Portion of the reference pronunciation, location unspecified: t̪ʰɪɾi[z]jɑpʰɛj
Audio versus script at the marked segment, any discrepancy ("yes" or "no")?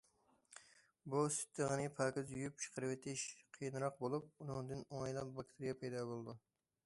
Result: yes